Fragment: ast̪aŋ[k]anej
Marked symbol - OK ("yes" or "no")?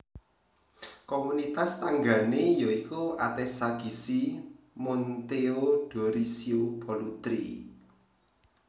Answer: no